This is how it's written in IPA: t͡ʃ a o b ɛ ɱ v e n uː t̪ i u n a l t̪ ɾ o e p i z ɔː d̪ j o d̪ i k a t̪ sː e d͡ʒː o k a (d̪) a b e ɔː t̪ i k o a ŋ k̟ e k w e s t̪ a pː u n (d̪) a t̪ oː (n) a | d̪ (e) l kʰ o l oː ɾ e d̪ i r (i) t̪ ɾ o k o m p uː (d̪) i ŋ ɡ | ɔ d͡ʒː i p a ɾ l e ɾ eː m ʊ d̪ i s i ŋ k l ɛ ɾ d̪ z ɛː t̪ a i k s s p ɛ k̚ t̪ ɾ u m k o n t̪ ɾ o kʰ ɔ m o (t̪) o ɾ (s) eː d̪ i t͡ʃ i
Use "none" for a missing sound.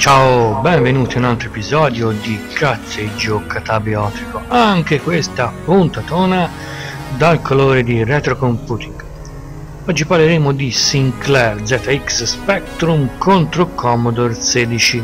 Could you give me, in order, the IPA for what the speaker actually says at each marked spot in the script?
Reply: t̪, t̪, n, a, ɛ, t̪, d̪, s

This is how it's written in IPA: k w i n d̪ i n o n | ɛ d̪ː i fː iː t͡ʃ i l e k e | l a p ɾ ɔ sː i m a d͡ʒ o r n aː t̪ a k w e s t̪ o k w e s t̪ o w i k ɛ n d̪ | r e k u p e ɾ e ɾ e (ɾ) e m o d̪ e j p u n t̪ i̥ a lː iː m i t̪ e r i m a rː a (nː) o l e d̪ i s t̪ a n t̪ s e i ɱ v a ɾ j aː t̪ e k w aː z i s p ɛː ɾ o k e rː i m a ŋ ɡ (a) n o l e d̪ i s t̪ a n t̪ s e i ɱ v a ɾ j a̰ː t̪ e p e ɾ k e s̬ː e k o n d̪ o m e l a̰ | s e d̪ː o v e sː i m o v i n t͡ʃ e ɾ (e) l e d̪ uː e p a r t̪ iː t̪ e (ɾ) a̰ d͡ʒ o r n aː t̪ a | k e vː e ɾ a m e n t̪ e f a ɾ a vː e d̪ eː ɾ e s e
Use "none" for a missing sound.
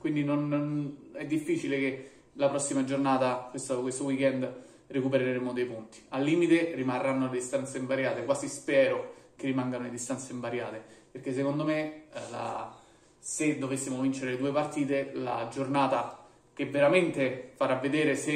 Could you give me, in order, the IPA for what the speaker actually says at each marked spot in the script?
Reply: ɾ, nː, a, e, l

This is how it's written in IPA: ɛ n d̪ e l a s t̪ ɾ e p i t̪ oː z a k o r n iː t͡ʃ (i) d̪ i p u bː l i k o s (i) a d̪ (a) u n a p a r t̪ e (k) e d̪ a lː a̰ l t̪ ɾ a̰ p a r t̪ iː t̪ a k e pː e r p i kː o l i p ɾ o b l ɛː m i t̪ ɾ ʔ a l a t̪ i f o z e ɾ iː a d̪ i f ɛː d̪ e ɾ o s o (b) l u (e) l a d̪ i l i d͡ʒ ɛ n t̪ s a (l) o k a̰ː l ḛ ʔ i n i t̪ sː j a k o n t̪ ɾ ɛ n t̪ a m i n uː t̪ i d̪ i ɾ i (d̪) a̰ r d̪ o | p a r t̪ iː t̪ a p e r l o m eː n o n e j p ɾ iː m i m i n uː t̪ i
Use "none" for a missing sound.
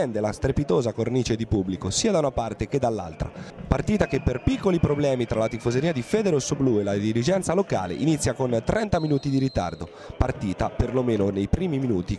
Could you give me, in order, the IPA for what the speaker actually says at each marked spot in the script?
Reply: e, iː, a, k, b, e, l, t̪

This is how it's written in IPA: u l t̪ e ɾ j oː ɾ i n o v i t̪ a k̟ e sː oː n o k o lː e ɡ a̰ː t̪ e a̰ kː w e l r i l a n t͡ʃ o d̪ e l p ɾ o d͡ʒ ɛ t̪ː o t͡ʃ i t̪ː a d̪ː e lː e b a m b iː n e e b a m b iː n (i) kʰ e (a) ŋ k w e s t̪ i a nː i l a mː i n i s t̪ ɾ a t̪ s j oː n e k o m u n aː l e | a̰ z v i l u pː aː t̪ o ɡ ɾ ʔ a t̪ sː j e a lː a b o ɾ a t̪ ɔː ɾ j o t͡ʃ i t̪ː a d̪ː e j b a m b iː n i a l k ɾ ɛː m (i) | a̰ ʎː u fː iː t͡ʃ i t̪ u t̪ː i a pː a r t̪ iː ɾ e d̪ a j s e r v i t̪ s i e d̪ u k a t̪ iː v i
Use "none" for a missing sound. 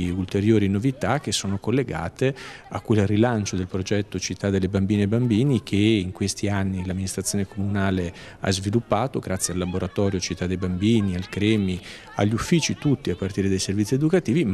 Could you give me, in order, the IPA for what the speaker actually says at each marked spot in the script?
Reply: i, i, i

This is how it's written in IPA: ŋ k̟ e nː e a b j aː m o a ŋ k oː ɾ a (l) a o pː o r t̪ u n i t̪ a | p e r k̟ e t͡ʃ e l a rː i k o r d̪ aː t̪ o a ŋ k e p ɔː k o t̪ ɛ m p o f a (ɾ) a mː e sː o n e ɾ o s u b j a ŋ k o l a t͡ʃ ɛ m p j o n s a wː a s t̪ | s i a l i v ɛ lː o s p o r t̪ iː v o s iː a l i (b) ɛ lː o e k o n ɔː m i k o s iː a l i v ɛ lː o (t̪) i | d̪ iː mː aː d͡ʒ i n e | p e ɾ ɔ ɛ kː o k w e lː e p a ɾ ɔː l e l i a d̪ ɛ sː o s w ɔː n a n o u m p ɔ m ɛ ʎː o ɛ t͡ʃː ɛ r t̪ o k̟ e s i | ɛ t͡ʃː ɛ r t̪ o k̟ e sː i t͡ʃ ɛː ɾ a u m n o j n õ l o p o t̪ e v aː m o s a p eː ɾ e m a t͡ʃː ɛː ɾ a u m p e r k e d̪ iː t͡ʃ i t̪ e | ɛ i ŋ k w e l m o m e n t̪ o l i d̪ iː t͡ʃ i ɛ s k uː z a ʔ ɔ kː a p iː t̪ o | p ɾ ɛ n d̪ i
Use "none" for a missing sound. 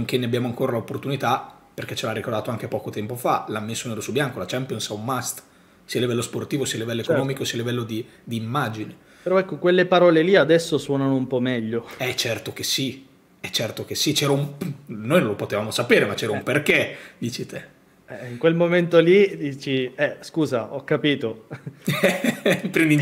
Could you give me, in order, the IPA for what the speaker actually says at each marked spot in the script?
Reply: l, l, v, d̪

